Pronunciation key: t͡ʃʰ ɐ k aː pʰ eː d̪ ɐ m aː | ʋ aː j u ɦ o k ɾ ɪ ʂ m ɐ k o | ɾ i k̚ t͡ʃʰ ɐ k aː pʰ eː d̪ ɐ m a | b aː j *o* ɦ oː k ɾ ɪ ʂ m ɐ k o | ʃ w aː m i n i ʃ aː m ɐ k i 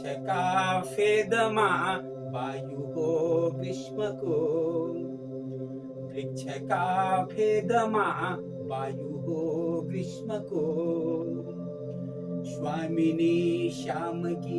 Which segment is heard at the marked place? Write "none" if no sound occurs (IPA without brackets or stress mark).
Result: u